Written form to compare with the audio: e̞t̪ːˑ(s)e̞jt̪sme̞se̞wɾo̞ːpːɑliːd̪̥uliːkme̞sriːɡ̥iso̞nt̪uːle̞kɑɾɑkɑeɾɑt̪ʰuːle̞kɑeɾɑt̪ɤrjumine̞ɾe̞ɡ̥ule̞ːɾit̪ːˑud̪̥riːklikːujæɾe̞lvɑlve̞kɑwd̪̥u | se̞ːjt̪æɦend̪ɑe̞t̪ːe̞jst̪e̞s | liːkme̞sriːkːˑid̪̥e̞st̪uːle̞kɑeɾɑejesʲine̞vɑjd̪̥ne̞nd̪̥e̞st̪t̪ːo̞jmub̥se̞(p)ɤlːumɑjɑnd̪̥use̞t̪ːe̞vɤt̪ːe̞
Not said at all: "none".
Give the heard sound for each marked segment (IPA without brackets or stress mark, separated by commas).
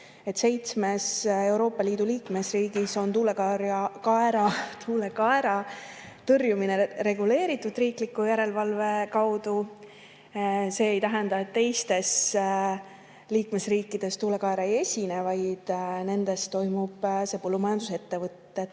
s, p